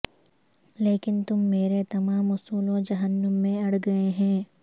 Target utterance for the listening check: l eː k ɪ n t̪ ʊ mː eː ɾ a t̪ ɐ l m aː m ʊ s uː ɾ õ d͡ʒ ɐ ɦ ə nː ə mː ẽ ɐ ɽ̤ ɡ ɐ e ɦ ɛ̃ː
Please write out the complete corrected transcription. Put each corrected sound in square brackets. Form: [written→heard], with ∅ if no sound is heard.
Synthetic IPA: l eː k ɪ n t̪ ʊ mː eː ɾ [a→e] t̪ ɐ [l→∅] m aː m ʊ s uː [ɾ→l] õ d͡ʒ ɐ ɦ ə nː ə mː ẽ ɐ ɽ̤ ɡ ɐ e ɦ ɛ̃ː